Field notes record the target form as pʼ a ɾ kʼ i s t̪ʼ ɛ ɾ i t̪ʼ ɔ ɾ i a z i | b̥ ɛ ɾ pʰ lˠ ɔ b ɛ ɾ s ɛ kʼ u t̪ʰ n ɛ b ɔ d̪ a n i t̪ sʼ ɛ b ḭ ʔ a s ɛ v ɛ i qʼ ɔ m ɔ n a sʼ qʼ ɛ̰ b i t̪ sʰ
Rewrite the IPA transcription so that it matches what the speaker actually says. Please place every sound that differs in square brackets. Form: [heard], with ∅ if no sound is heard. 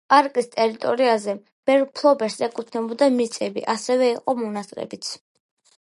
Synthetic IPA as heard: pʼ a ɾ kʼ i s t̪ʼ ɛ ɾ i t̪ʼ ɔ ɾ i a z [ɛ] | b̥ ɛ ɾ pʰ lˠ ɔ b ɛ ɾ s ɛ kʼ u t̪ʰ n ɛ b ɔ d̪ a [m] i t̪ sʼ ɛ b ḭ ʔ a s ɛ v ɛ i qʼ ɔ m ɔ n a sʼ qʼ ɛ̰ b i t̪ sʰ